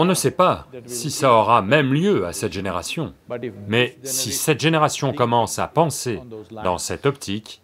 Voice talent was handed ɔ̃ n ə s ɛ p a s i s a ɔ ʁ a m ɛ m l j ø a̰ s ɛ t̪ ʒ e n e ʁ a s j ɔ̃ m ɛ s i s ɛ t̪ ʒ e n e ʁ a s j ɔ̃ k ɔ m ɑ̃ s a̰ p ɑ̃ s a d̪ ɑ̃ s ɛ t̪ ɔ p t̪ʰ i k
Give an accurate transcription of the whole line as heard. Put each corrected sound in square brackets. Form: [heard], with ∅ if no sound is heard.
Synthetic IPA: ɔ̃ n ə s ɛ p a s i s a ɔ ʁ a m ɛ m l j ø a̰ s ɛ t̪ ʒ e n e ʁ a s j ɔ̃ m ɛ s i s ɛ t̪ ʒ e n e ʁ a s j ɔ̃ k ɔ m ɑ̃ s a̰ p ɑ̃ s [e] d̪ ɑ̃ s ɛ t̪ ɔ p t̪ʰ i k